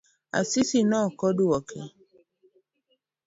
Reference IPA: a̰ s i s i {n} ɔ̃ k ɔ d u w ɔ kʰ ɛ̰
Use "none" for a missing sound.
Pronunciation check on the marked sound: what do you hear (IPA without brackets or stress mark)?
n